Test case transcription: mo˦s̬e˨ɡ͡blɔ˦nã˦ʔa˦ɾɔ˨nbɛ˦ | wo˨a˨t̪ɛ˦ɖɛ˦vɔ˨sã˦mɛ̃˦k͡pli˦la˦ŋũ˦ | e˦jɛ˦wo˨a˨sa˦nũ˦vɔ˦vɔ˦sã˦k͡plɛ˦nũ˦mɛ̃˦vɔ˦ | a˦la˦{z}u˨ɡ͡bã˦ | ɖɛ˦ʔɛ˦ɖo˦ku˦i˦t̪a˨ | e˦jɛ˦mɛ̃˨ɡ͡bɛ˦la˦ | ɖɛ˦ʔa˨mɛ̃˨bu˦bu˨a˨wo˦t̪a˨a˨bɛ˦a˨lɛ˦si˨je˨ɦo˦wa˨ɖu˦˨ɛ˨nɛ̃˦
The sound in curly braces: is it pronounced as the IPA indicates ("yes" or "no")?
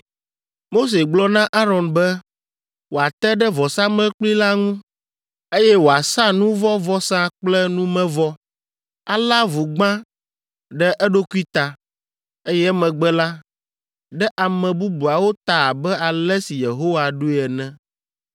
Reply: no